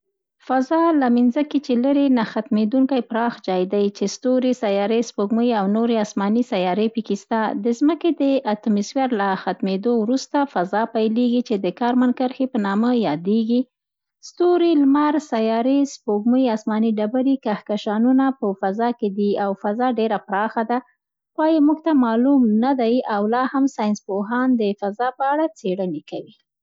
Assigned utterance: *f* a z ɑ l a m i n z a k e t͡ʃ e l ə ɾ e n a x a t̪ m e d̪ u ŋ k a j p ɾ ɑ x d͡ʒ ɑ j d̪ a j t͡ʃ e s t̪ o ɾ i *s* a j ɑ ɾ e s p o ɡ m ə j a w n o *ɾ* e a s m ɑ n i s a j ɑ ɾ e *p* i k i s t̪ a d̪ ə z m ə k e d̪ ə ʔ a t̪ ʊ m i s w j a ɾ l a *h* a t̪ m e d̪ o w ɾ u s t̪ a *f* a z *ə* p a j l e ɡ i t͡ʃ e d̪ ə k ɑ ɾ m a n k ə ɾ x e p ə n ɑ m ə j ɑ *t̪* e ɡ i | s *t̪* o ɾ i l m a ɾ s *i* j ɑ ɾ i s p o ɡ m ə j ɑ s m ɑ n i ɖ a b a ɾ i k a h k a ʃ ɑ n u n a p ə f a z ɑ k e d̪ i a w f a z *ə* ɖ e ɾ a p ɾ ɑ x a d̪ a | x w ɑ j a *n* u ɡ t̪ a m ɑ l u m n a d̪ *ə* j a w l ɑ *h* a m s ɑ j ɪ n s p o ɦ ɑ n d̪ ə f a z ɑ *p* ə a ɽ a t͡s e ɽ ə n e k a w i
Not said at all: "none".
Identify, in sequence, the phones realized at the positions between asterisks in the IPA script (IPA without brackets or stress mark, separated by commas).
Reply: f, s, ɾ, p, x, f, ɑ, d̪, t̪, a, ɑ, m, a, h, p